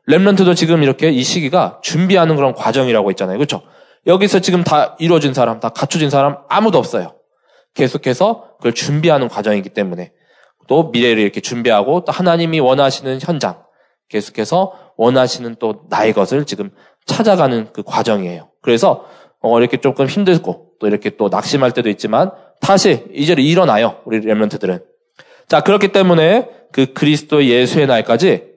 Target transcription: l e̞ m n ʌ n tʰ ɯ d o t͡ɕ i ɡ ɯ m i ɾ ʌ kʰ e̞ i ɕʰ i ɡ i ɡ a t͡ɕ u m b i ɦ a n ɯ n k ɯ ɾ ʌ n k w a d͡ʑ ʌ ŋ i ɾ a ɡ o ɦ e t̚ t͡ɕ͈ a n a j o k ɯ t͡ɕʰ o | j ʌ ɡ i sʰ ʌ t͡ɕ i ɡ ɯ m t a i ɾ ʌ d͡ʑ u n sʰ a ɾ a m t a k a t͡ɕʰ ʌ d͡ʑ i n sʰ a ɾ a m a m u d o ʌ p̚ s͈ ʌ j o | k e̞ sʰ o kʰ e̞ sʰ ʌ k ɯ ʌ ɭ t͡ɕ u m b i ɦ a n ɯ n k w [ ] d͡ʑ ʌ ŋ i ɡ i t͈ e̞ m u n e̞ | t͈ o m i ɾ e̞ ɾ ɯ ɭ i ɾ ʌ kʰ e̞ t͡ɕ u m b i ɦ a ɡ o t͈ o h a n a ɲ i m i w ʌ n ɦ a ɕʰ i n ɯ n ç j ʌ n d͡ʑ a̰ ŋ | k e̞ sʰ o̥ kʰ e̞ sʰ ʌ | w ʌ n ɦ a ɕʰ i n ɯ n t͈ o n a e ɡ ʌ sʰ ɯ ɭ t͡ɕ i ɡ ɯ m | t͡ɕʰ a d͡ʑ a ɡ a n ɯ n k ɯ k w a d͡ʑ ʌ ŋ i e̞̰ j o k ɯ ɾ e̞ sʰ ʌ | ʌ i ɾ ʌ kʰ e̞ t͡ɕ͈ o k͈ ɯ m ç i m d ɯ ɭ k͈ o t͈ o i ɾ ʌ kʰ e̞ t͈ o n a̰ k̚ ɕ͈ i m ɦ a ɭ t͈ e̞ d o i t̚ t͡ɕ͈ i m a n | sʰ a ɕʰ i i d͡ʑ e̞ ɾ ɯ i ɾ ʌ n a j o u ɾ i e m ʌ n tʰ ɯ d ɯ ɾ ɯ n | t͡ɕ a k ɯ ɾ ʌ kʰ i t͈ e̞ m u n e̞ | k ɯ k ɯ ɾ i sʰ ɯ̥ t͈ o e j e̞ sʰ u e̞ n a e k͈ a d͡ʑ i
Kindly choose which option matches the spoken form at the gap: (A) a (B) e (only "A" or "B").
A